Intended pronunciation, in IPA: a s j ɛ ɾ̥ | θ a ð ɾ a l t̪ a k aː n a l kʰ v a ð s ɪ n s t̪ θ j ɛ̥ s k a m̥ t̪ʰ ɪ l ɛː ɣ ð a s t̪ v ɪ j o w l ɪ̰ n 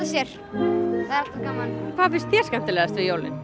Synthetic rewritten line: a s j ɛ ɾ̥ | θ a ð ɾ a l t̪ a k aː m a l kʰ v a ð f ɪ n s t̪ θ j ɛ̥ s k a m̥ t̪ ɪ l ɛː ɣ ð a s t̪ v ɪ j o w l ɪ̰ n